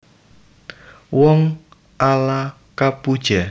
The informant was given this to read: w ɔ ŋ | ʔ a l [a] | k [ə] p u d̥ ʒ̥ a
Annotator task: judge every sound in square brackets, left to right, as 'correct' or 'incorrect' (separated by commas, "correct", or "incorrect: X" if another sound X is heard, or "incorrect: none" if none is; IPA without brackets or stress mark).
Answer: correct, incorrect: a